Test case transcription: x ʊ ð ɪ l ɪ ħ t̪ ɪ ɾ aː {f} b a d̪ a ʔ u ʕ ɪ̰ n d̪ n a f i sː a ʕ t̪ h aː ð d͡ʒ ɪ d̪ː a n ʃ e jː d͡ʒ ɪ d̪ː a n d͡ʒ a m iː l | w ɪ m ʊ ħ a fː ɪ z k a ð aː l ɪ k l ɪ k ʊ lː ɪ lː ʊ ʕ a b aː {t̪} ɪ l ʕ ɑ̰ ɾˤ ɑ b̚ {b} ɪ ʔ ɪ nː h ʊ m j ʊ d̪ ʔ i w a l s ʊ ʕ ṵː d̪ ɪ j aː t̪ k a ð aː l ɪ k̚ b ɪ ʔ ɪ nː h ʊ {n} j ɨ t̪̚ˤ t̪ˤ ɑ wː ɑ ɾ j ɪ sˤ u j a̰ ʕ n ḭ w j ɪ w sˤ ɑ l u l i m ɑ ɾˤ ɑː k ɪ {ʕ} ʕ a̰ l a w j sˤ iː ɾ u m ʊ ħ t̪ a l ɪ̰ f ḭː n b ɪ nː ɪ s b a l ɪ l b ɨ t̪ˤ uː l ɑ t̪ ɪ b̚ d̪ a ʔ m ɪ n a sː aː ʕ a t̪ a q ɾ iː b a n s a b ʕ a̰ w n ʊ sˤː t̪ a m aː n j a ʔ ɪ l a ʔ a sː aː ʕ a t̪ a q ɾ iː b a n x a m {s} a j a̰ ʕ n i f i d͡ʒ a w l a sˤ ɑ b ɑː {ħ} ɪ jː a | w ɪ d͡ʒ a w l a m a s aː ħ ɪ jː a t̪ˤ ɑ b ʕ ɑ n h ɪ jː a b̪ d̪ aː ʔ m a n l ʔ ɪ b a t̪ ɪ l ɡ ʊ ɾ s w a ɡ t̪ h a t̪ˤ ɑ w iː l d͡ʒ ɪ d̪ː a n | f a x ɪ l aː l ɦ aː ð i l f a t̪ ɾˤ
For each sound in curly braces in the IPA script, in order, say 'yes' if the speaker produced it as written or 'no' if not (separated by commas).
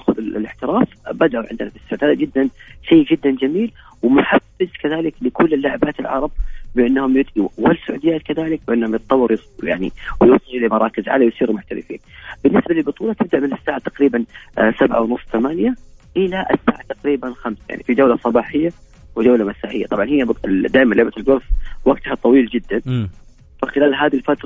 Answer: yes, yes, yes, no, no, yes, yes